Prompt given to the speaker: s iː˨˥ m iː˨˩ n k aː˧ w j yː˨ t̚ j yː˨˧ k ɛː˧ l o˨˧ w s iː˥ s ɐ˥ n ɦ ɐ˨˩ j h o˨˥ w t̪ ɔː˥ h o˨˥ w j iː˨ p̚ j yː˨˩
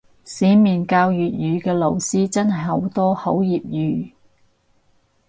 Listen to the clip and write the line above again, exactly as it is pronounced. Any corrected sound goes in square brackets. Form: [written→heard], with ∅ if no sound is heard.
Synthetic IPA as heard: s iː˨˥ m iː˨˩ n k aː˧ w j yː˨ t̚ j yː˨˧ k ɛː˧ l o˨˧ w s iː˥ [s→t͡s] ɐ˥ n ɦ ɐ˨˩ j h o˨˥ w t̪ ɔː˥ h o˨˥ w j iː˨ p̚ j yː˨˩